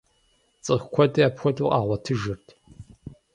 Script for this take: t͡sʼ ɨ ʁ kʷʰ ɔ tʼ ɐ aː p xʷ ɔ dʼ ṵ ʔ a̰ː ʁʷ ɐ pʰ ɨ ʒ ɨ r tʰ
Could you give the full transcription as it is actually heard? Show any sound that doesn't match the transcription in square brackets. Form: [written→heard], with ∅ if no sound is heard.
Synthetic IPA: t͡sʼ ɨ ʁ kʷʰ ɔ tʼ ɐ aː p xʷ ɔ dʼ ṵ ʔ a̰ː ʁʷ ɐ [pʰ→tʰ] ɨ ʒ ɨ r tʰ